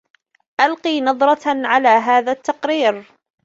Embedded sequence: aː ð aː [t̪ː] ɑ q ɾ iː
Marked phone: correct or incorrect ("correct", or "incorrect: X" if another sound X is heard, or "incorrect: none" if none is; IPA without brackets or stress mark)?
correct